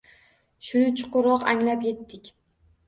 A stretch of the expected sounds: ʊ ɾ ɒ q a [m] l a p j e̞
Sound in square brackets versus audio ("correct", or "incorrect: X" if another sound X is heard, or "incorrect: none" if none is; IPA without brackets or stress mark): incorrect: ŋ